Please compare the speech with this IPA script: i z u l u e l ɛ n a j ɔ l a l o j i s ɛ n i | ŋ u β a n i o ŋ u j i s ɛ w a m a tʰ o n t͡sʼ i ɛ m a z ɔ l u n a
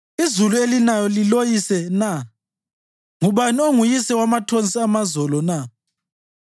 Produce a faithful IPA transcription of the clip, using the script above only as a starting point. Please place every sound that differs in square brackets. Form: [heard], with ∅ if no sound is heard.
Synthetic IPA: i z u l u e l [i] n a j ɔ l [i] l o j i s ɛ n [a] | ŋ u β a n i o ŋ u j i s ɛ w a m a tʰ o n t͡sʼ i [a] m a z ɔ l [ɔ] n a